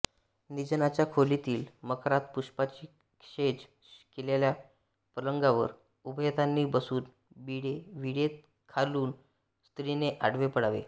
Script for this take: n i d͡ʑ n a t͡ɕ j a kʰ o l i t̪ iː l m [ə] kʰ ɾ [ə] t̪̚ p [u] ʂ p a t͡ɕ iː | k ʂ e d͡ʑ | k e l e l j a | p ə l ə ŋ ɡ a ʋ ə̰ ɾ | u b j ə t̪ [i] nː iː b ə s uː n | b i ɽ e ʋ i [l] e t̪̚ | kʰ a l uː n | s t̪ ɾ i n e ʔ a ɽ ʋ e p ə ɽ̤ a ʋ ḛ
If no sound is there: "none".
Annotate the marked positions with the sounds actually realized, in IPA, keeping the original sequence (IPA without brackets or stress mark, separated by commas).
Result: ə, a, u, a, ɽ